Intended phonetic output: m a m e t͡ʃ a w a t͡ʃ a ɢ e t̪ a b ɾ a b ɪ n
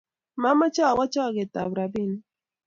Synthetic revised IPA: m a m a t͡ʃ a w a t͡ʃ a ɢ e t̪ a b ɾ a b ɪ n